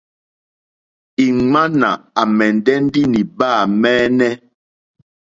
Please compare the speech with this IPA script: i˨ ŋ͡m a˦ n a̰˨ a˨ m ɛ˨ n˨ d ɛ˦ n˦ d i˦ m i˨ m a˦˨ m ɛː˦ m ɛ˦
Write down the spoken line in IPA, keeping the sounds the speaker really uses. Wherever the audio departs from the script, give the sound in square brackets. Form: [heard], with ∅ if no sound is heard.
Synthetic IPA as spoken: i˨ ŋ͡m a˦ n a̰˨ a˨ m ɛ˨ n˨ d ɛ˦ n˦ d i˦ [n] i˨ [b] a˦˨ m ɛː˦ [n] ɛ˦

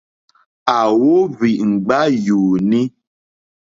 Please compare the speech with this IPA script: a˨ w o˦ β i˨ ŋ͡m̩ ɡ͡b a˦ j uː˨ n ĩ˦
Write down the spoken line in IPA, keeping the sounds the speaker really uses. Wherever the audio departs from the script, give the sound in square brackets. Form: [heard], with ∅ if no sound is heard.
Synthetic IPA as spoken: a˨ w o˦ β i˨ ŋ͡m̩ ɡ͡b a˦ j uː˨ n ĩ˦

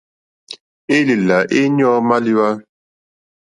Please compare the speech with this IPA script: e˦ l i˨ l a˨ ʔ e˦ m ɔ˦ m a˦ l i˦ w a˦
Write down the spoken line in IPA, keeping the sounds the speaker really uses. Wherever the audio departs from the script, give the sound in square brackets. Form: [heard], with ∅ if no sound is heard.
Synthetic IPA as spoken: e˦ l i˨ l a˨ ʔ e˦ [ɲ] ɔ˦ m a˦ l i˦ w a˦

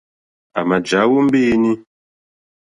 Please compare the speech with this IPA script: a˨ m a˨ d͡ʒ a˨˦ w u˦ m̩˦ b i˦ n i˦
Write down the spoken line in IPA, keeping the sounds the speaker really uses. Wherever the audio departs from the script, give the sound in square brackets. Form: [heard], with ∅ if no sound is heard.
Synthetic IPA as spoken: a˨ m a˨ d͡ʒ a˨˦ w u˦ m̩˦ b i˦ n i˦

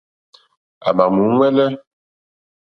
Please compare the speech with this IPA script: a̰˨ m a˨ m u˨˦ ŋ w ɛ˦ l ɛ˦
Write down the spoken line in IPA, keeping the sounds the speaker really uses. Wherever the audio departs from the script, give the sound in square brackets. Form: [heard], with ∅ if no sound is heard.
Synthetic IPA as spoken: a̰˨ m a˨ m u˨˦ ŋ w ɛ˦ l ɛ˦

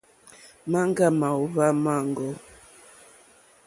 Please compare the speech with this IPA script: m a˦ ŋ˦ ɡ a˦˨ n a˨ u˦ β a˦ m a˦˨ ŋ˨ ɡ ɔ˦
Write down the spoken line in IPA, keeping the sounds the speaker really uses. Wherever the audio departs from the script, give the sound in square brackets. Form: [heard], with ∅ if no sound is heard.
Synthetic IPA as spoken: m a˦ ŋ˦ ɡ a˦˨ [m] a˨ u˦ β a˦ m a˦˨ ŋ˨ ɡ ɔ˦

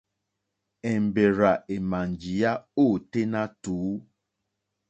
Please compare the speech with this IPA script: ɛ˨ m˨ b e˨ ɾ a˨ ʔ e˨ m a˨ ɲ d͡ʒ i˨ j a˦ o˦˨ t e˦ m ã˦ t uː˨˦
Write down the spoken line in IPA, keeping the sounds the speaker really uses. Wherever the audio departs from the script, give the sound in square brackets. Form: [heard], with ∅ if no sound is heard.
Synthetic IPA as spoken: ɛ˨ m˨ b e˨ ɾ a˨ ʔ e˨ m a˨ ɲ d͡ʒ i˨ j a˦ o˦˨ t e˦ [n] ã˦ t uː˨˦

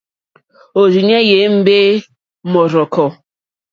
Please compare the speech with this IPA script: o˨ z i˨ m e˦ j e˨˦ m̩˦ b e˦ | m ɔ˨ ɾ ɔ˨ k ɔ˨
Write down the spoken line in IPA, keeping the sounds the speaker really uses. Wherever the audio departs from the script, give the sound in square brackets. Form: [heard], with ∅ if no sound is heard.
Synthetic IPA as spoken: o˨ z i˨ [ɲ] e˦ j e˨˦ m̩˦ b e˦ | m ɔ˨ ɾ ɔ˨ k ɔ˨

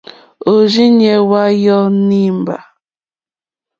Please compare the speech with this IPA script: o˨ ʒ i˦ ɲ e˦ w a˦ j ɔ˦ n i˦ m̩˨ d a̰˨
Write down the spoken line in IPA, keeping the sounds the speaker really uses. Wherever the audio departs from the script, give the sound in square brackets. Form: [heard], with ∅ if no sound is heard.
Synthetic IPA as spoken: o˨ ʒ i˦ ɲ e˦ w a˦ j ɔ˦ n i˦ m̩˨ [b] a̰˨

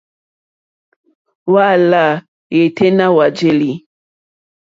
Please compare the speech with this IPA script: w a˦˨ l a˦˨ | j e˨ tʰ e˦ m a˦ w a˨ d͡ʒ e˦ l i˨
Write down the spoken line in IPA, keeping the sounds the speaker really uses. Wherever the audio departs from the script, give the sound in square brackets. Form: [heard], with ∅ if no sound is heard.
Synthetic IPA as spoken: w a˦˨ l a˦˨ | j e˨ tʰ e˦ [n] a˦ w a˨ d͡ʒ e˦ l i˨

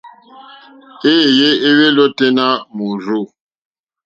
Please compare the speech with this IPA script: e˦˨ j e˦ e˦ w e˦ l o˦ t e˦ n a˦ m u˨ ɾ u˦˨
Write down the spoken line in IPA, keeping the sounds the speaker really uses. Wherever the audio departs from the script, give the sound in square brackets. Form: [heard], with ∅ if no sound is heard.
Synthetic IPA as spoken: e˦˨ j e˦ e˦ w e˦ l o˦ t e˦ n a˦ m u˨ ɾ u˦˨

